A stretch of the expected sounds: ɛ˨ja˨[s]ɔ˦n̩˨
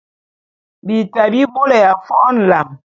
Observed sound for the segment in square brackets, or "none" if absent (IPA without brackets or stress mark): f